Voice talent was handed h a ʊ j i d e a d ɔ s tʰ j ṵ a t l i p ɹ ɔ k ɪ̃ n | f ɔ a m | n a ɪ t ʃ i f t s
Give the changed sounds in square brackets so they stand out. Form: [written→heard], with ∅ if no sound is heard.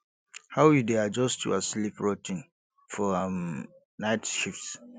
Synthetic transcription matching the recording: h a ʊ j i d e a [d→d͡ʒ] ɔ s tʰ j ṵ a [t→s] l i p ɹ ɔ [k→t] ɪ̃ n | f ɔ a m | n a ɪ t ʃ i f t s